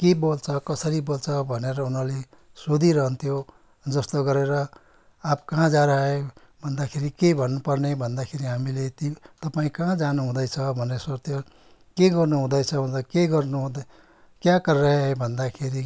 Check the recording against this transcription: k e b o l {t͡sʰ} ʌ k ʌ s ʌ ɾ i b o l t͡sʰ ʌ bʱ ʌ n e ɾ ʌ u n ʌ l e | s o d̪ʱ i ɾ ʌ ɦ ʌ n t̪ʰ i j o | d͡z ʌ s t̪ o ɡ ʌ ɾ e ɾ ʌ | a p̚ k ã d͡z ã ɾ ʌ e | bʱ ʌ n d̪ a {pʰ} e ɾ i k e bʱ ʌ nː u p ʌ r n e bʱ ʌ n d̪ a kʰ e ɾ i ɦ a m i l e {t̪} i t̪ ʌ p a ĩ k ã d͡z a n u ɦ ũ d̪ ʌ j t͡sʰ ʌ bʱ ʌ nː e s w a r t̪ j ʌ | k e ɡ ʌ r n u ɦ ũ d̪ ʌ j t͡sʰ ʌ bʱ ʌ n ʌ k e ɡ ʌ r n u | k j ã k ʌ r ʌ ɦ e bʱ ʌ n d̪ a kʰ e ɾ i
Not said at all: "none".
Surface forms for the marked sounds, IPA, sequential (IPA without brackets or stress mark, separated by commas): t͡sʰ, kʰ, t̪